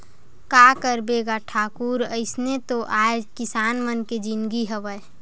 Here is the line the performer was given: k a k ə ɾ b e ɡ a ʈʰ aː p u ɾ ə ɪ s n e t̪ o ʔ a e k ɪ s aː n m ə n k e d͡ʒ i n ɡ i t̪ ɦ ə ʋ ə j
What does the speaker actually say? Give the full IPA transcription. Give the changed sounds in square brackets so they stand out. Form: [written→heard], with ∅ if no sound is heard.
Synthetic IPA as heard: k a k ə ɾ b e ɡ a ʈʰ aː [p→k] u ɾ ə ɪ s n e t̪ o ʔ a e k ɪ s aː n m ə n k e d͡ʒ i n ɡ i [t̪→∅] ɦ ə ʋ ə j